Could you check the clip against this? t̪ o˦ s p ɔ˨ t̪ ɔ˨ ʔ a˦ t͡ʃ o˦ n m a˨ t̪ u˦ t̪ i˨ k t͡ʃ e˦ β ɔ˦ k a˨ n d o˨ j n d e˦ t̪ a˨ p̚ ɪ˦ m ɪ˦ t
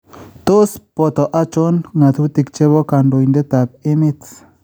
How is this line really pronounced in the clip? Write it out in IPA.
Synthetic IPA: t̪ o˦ s p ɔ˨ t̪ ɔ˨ ʔ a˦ t͡ʃ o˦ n ŋ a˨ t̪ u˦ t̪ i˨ k t͡ʃ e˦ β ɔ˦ k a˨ n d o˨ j n d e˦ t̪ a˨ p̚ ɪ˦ m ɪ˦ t